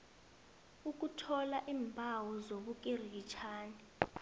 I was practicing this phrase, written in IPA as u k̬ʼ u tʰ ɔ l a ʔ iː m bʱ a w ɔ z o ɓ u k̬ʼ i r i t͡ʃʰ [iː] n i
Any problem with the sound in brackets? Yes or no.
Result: yes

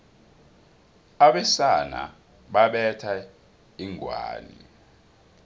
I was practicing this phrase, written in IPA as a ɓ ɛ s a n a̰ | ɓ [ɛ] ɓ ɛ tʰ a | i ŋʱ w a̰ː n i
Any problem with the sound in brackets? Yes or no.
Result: yes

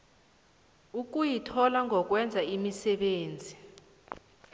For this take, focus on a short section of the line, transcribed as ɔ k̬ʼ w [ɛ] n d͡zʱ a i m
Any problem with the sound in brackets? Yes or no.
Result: no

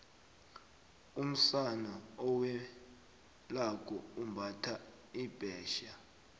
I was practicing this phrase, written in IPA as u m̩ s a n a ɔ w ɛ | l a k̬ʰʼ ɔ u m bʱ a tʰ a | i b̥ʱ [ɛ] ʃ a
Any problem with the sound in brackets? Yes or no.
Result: yes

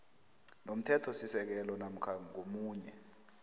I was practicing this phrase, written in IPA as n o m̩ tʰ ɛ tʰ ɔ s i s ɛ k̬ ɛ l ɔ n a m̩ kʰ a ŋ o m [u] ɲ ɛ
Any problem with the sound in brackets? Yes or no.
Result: yes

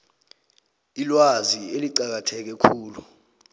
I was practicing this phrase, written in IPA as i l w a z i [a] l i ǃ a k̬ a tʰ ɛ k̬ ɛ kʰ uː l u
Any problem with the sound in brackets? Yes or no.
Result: yes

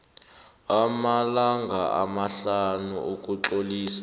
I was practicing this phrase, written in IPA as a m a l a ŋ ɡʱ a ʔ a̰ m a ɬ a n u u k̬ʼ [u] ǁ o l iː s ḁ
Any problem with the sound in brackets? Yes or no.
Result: no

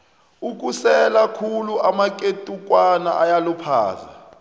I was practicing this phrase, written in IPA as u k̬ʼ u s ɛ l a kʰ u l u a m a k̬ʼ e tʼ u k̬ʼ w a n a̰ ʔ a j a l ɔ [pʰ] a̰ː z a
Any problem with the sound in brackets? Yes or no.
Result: no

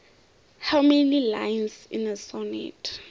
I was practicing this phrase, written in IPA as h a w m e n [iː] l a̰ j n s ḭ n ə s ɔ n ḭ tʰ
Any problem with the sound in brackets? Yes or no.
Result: yes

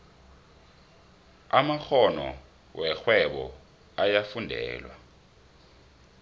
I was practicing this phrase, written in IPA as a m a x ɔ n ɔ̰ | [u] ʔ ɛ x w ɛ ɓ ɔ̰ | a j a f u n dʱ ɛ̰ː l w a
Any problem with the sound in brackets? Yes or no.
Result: yes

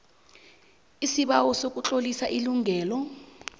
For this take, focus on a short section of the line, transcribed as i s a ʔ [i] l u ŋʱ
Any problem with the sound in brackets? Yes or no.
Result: no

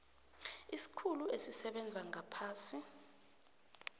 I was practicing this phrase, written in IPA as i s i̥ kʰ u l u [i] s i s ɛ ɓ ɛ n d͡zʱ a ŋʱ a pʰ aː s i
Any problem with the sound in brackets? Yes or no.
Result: yes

